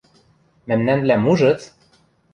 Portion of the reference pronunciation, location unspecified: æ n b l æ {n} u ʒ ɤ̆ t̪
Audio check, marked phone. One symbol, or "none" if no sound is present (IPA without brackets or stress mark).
m